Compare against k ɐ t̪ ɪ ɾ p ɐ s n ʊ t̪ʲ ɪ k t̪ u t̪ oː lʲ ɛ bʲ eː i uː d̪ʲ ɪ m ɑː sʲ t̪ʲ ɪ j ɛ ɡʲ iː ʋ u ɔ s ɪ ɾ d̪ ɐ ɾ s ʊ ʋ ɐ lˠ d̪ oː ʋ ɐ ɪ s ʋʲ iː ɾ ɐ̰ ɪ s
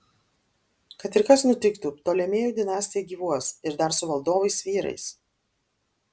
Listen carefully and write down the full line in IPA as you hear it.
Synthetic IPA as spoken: k ɐ t̪ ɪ ɾ k ɐ s n ʊ t̪ʲ ɪ k t̪ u t̪ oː lʲ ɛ mʲ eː j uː d̪ʲ ɪ n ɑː sʲ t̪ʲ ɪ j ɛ ɡʲ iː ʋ u ɔ s ɪ ɾ d̪ ɐ ɾ s ʊ ʋ ɐ lˠ d̪ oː ʋ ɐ ɪ s ʋʲ iː ɾ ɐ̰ ɪ s